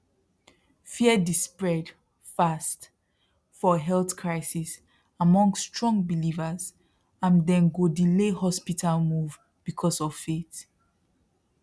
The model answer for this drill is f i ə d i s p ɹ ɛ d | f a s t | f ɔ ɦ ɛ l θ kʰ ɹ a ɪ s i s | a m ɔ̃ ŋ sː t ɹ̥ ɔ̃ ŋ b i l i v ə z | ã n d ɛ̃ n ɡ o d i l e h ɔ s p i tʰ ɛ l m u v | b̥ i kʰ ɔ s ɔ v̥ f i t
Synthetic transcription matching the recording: f i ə d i s p ɹ ɛ d | f a s t | f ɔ ɦ ɛ l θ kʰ ɹ a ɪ s i s | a m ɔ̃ ŋ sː t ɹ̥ ɔ̃ ŋ b i l i v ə z | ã n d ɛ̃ n ɡ o d i l e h ɔ s p i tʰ a l m u v | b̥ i kʰ ɔ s ɔ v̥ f e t